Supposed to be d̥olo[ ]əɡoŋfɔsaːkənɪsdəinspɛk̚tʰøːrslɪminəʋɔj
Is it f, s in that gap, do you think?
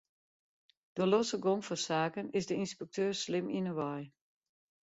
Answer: s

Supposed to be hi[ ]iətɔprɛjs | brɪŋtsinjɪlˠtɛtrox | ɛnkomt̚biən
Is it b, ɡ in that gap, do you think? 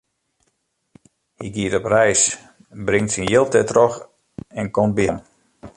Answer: ɡ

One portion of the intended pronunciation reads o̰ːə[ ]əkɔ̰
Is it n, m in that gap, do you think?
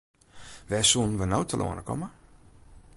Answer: n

